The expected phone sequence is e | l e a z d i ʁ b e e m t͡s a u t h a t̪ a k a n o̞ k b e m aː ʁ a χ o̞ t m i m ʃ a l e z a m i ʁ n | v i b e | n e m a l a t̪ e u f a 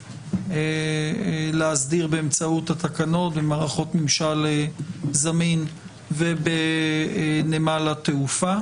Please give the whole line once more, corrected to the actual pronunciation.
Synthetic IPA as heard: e | l e a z d i ʁ b e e m t͡s a u t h a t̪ a k a n o̞ t b e m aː ʁ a χ o̞ t m i m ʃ a l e z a m i n | v e b e | n e m a l a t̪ e u f a